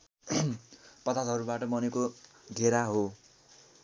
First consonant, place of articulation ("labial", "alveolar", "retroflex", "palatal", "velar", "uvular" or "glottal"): labial